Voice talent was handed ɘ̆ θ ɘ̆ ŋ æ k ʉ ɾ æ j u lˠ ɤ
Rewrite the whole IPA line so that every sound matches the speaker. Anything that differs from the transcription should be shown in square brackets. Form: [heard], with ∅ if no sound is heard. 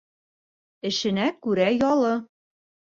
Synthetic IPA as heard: ɘ̆ [ʃ] ɘ̆ [n] æ k ʉ ɾ æ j [ɒ] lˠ ɤ